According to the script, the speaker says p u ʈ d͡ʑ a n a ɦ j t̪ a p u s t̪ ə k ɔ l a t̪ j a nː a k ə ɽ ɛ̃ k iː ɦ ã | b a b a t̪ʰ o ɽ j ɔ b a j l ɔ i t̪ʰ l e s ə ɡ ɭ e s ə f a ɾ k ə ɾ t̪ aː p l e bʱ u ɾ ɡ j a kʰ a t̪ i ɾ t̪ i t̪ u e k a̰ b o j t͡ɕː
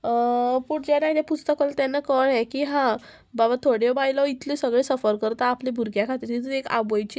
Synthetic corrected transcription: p u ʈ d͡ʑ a n a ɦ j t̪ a p u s t̪ ə k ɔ l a t̪ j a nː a k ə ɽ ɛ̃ k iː ɦ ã | b a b a t̪ʰ o ɽ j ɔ b a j l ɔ i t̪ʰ l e s ə ɡ ɭ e s ə f ə ɾ k ə ɾ t̪ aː p l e bʱ u ɾ ɡ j a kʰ a t̪ i ɾ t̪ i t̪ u e k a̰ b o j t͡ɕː